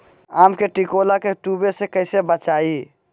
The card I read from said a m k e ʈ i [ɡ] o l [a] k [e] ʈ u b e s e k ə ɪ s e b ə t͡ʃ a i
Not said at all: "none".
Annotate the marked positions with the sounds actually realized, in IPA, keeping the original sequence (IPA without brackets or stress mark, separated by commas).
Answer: k, a, e